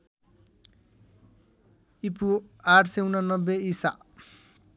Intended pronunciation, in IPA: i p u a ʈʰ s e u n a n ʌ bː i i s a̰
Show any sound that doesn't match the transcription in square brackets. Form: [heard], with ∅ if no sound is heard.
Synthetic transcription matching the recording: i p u a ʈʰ s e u n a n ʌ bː [e] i s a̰